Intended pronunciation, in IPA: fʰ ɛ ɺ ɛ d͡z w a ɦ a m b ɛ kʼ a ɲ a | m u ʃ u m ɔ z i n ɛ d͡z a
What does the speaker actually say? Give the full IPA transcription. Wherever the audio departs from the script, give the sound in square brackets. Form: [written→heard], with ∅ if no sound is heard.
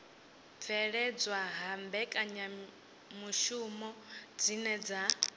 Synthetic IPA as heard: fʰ ɛ ɺ ɛ d͡z w a ɦ a m b ɛ kʼ a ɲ a | m u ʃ u m ɔ [z→d͡z] i n ɛ d͡z a